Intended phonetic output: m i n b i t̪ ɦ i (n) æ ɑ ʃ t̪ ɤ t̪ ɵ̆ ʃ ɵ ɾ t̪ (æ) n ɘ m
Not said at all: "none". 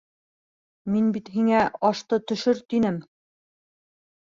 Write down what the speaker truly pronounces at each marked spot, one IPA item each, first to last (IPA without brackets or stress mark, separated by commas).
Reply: ŋ, i